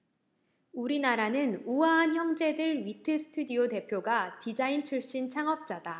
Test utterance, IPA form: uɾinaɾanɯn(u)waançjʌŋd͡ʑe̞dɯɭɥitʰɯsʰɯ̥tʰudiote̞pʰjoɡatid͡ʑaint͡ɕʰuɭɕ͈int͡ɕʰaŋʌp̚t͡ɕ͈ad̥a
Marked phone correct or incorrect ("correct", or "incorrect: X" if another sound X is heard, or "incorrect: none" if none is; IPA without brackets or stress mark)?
correct